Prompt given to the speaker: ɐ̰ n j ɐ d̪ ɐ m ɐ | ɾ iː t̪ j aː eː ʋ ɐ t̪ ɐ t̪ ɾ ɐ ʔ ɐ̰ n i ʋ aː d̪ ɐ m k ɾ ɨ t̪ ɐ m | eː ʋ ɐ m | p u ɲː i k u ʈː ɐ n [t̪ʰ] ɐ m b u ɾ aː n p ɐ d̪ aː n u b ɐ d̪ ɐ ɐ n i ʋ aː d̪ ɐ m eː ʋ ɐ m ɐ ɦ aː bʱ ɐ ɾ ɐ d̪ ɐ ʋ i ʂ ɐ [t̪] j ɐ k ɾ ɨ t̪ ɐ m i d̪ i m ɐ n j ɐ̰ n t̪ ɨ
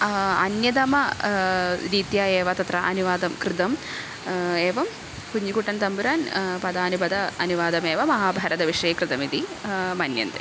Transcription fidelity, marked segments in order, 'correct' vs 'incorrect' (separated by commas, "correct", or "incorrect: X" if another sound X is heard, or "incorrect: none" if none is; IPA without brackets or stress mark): incorrect: t̪, incorrect: none